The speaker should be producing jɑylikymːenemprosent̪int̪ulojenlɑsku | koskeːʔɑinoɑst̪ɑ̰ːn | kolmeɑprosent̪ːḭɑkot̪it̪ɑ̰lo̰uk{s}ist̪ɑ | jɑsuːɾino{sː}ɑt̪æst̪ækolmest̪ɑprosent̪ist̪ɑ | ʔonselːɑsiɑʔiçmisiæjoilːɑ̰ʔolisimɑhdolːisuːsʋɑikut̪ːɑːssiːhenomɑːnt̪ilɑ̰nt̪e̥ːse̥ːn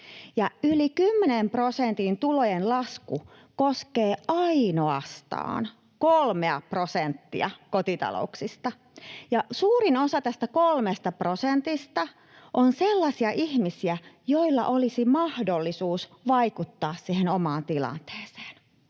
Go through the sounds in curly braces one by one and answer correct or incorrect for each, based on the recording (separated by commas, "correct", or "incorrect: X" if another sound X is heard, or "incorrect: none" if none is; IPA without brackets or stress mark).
correct, incorrect: s